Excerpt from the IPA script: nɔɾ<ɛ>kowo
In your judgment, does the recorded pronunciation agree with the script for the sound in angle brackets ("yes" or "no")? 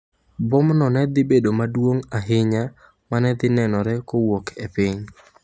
yes